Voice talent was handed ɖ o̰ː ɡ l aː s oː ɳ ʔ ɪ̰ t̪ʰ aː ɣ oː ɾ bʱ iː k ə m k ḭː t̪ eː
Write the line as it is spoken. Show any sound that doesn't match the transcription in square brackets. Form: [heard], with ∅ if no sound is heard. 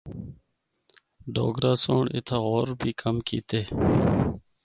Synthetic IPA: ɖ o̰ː ɡ [ɾ] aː s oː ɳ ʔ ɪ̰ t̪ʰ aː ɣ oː ɾ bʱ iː k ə m k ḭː t̪ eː